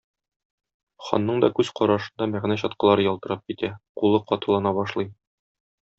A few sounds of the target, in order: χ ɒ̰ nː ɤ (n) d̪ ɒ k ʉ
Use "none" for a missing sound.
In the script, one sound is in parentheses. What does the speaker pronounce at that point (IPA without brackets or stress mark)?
ɴ